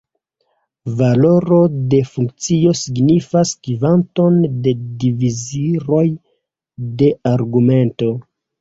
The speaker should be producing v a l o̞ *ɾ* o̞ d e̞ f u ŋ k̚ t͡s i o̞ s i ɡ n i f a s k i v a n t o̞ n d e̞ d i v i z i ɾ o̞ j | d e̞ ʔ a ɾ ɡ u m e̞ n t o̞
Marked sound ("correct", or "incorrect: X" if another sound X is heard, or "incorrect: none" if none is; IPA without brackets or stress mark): correct